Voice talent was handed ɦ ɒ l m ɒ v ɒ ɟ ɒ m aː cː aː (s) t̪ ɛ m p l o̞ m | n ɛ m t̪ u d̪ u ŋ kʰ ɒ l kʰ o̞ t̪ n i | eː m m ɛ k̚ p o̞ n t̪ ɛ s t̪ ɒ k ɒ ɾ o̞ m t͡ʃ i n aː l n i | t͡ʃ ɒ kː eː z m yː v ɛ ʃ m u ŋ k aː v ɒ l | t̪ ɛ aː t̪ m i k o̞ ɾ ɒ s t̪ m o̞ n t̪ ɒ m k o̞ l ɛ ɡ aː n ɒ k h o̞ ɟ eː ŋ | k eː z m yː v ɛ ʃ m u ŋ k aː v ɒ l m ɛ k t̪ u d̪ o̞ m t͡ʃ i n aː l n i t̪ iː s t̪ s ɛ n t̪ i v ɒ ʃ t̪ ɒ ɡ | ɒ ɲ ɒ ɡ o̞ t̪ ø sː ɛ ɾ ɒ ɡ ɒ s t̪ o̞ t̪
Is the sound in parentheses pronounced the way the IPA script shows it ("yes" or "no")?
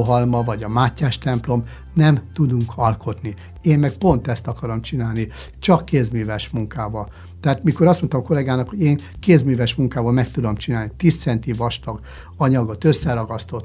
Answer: no